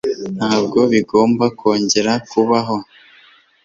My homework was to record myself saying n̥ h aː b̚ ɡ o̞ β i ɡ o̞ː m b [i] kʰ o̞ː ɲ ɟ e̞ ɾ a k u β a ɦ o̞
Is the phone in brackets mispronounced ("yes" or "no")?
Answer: yes